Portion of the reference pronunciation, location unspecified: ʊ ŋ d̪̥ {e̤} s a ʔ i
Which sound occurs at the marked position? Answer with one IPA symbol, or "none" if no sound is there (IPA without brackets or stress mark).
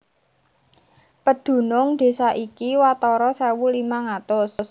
e̤